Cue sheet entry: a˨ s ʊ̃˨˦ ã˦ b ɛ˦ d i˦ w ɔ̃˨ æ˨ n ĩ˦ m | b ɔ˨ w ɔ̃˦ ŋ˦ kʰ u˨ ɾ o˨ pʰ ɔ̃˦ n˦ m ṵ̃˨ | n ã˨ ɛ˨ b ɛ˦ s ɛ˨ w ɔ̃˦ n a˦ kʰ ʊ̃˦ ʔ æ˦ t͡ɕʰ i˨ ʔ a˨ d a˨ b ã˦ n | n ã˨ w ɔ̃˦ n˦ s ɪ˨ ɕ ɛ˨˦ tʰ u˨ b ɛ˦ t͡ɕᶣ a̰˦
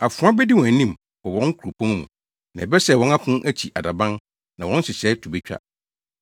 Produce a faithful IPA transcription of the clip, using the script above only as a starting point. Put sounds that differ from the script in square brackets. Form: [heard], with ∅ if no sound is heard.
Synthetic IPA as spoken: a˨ [f] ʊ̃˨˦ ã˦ b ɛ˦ d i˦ w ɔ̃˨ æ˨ n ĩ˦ m | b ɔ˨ w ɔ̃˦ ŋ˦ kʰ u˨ ɾ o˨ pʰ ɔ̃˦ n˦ m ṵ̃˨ | n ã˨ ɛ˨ b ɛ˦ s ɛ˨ w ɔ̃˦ n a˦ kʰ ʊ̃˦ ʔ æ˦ t͡ɕʰ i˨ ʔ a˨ d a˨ b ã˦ n | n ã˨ w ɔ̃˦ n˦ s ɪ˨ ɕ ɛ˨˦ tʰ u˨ b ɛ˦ t͡ɕᶣ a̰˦